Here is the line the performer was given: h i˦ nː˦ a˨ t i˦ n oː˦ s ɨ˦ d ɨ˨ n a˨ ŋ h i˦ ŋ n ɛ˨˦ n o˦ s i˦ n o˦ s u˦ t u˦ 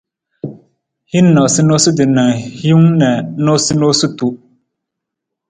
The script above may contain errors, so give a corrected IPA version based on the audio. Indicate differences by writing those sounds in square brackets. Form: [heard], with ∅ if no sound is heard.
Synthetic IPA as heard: h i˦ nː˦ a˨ [s] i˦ n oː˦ s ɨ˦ d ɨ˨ n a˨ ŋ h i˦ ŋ n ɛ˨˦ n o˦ s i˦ n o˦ s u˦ t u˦